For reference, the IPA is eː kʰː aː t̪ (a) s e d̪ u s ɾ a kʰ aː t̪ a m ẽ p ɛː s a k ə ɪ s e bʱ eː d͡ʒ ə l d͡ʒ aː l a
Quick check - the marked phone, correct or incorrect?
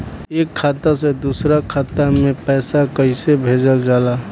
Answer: correct